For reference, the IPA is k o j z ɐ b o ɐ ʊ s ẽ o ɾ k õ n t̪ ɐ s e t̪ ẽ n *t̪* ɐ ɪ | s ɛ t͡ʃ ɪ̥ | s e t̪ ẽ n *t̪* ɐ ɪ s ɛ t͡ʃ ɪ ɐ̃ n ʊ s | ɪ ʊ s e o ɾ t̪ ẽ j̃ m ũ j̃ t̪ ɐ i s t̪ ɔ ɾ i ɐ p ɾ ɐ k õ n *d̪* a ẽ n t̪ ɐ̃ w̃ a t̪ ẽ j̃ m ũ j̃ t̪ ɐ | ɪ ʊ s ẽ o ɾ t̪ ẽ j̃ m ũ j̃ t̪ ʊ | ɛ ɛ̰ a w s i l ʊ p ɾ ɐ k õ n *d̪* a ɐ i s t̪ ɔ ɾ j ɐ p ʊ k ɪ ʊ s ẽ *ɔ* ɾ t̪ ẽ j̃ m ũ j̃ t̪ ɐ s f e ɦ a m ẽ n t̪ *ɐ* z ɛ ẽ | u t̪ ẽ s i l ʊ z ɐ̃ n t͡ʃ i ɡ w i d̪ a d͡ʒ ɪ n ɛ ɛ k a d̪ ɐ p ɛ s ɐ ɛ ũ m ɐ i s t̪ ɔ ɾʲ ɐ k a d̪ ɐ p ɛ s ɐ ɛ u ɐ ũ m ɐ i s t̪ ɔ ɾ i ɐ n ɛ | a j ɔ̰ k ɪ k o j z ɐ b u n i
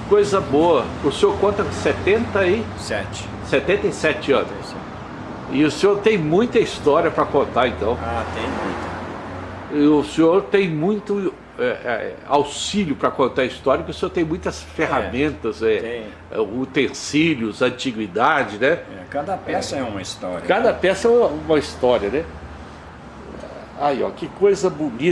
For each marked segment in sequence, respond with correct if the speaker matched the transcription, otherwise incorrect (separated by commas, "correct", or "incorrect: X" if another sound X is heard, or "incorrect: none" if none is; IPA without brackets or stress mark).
correct, correct, incorrect: t̪, incorrect: t̪, incorrect: o, correct